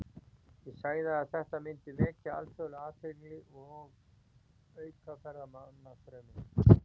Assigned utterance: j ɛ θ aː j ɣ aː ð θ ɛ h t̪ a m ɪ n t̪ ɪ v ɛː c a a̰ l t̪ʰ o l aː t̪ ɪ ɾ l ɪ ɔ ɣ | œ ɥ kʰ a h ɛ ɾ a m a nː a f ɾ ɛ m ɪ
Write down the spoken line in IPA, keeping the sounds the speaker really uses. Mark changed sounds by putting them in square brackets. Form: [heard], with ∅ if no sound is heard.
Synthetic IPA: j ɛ [s] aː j [ð] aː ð θ ɛ h t̪ a m ɪ n t̪ ɪ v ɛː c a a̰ l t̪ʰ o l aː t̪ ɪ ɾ l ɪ ɔ ɣ | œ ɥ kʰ a [f] ɛ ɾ a m a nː a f ɾ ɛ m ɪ